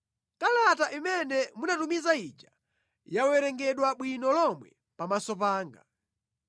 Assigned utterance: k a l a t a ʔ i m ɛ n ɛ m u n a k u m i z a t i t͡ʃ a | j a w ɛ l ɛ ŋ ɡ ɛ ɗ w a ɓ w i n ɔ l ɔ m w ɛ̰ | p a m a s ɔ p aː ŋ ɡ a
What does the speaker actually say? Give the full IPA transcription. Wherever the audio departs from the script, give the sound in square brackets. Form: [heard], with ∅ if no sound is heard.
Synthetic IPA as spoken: k a l a t a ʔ i m ɛ n ɛ m u n a [t] u m i z a [∅] i t͡ʃ a | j a w ɛ [ɾ] ɛ ŋ ɡ ɛ ɗ w a ɓ w i n ɔ l ɔ m w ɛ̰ | p a m a s ɔ p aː ŋ ɡ a